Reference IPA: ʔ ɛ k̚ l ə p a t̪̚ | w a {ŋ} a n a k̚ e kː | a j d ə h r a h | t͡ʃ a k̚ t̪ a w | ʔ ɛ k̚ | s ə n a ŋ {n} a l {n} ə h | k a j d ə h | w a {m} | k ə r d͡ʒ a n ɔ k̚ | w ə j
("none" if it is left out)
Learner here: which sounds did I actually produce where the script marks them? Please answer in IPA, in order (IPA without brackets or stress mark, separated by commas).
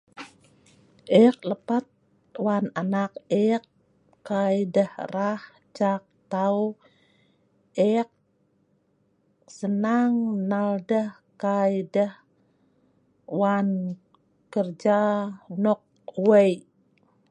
n, n, d, n